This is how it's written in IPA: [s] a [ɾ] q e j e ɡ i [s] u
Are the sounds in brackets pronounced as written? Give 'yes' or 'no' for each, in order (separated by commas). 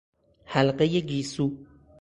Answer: no, no, yes